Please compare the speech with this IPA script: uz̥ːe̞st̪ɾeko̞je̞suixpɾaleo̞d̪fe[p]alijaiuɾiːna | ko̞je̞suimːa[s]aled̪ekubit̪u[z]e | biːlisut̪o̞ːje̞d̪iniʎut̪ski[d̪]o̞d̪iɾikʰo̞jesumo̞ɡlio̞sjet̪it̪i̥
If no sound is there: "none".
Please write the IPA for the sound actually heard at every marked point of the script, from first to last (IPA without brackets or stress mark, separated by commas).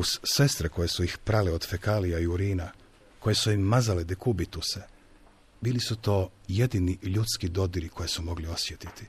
k, z, s, d̪